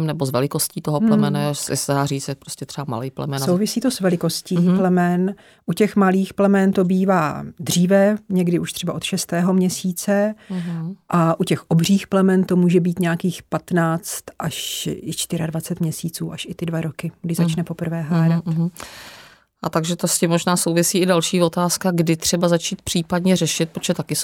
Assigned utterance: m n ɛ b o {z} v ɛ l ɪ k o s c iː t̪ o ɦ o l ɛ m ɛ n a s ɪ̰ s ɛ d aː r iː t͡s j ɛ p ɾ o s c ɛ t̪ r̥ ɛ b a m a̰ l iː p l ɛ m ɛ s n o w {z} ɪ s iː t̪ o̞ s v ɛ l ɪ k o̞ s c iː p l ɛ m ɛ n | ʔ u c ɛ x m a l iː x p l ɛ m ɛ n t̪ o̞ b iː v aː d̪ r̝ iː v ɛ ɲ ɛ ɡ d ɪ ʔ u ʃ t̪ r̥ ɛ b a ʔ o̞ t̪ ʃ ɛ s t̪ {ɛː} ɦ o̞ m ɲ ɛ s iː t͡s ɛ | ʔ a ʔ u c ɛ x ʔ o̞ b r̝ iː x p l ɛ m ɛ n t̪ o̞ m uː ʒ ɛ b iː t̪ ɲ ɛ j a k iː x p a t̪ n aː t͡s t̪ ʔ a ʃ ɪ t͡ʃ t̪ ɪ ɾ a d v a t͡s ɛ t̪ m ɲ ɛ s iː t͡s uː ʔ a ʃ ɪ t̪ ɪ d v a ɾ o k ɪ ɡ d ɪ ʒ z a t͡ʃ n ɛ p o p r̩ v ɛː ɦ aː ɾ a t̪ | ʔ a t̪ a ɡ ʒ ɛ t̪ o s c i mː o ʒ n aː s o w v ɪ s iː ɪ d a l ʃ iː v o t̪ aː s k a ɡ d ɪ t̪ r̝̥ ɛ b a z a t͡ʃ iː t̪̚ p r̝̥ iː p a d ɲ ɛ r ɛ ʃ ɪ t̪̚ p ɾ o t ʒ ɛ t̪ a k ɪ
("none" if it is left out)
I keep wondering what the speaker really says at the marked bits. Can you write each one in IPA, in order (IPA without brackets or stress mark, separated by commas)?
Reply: z, v, ɛː